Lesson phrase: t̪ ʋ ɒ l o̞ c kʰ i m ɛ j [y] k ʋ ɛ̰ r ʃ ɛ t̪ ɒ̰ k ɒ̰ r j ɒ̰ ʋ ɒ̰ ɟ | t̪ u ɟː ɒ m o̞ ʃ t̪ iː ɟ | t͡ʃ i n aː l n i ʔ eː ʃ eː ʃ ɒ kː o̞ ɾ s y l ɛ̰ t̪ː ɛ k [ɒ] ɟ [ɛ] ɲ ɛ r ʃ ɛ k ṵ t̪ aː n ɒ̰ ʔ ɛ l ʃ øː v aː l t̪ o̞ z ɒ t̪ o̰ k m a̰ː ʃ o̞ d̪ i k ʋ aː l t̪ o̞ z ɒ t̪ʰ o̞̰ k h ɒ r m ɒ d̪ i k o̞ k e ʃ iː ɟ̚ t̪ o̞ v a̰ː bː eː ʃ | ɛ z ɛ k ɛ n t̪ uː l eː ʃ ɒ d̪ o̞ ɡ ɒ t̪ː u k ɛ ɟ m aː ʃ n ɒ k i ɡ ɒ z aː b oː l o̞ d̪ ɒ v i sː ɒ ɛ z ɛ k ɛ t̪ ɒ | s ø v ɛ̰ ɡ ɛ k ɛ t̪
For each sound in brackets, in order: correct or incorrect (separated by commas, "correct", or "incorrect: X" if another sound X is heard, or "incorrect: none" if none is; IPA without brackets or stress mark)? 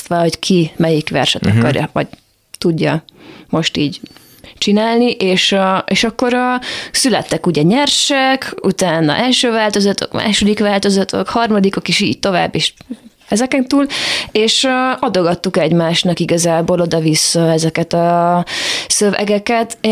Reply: incorrect: i, incorrect: u, correct